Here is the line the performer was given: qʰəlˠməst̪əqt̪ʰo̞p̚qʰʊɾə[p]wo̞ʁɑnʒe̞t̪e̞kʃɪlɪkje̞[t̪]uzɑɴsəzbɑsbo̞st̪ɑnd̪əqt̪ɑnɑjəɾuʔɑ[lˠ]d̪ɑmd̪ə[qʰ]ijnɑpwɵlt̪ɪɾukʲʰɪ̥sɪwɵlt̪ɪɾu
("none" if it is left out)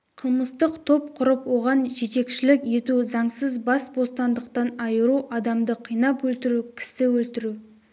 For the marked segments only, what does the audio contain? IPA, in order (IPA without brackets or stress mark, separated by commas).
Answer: p, t̪, none, qʰ